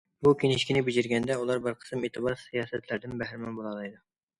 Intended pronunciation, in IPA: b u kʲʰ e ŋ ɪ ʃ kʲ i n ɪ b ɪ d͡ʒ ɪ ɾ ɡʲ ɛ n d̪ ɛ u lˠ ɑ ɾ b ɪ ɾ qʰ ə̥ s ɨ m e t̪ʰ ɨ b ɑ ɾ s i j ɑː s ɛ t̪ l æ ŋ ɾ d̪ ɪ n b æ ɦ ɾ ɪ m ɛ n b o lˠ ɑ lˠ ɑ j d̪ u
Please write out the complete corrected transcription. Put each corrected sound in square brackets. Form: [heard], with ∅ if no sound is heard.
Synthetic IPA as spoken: b u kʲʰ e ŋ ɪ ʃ kʲ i n ɪ b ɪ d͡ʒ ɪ ɾ ɡʲ ɛ n d̪ ɛ u lˠ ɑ ɾ b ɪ ɾ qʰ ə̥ s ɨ m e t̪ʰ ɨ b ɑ ɾ s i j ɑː s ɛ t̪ l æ [∅] ɾ d̪ ɪ n b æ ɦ ɾ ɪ m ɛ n b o lˠ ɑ lˠ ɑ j d̪ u